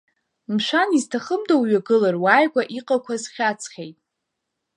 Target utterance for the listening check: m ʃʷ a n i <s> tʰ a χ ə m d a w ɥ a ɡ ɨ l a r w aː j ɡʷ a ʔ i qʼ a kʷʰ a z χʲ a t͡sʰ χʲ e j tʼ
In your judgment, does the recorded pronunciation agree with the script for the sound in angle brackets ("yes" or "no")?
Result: no